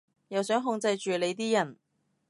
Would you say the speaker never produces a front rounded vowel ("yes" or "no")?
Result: no